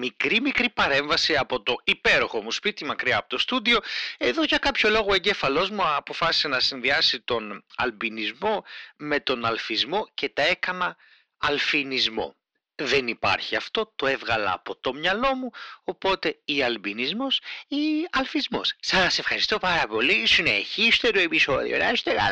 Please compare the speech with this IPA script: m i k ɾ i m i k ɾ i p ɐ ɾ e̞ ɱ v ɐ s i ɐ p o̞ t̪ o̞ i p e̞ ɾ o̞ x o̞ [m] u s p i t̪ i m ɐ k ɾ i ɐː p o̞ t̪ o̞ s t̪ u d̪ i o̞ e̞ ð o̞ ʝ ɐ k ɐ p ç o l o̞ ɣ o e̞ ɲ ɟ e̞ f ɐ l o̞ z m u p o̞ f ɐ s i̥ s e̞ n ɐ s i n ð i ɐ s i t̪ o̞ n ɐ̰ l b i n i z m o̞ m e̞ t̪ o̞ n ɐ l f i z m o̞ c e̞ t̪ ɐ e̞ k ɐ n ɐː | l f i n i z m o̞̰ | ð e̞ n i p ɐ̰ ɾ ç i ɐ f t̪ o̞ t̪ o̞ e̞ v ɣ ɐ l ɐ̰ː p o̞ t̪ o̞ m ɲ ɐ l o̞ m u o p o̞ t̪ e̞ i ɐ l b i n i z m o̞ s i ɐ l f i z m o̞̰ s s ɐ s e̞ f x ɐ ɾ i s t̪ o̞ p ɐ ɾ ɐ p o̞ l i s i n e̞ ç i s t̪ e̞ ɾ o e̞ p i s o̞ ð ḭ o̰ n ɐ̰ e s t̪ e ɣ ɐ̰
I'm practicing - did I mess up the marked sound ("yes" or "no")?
no